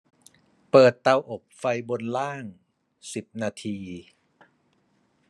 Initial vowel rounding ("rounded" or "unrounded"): unrounded